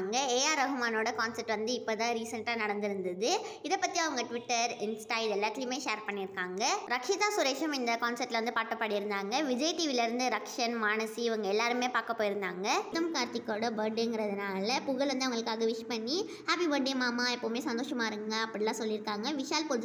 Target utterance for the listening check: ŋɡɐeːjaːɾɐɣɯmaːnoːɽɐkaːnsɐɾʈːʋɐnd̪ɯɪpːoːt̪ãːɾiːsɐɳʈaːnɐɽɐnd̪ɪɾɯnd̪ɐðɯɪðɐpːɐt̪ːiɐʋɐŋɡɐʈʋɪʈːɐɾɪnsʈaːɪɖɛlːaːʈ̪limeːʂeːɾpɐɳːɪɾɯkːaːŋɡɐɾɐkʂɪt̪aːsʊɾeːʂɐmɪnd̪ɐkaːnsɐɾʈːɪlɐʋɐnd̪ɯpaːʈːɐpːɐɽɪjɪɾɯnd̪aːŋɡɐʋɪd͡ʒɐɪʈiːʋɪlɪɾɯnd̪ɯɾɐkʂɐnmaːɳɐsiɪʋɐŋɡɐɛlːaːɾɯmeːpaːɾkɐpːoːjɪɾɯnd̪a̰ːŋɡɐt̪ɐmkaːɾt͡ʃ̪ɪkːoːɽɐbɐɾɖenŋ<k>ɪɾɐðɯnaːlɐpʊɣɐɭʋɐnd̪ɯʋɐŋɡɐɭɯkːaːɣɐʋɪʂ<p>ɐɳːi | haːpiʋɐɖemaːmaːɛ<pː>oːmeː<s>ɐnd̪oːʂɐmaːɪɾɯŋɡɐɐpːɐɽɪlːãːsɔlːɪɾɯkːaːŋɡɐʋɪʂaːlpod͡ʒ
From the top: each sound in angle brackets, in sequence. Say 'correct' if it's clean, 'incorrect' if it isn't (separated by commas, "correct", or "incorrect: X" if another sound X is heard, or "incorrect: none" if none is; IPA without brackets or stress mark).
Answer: incorrect: ɡ, correct, correct, correct